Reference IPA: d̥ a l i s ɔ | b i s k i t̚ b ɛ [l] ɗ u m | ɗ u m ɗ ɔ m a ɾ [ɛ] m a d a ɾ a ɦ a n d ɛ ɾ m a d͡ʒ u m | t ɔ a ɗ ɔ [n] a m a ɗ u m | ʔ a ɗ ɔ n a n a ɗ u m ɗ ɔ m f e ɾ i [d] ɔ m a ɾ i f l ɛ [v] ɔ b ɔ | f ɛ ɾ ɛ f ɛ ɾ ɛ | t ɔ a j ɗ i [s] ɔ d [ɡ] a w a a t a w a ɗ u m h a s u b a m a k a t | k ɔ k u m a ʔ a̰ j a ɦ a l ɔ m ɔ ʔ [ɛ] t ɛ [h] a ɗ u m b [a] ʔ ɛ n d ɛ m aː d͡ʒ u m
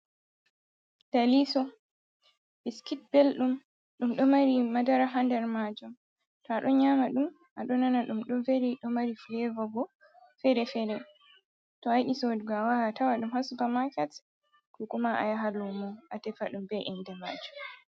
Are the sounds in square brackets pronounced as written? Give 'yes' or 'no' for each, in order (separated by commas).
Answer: yes, no, no, no, yes, yes, yes, no, no, no